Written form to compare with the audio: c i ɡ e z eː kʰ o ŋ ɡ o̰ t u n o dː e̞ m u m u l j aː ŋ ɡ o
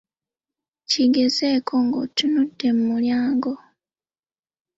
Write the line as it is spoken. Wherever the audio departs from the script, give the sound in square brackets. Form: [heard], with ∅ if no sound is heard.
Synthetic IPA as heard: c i ɡ e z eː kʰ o ŋ ɡ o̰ t u n [u] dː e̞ m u m u l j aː ŋ ɡ o

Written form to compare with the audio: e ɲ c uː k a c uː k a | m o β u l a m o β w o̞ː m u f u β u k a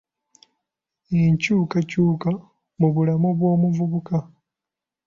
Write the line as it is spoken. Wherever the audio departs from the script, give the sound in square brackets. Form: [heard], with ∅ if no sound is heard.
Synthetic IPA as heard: e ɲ c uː k a c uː k a | m [u] β u l a m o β w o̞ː m u [v] u β u k a

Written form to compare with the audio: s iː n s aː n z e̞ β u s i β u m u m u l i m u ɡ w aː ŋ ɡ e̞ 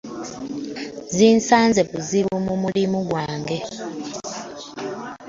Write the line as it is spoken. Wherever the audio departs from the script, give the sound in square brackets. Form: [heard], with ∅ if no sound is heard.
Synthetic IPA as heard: [z] iː n s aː n z e̞ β u [z] i β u m u m u l i m u ɡ w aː ŋ ɡ e̞

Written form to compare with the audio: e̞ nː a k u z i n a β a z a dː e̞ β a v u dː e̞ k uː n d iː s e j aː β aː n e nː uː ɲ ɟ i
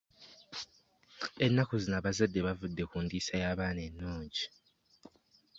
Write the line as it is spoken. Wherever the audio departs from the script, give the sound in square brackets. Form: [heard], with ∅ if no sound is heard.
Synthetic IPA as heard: e̞ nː a k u z i n a β a z a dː e̞ β a v u dː e̞ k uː n d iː s [a] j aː β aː n e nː uː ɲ ɟ i

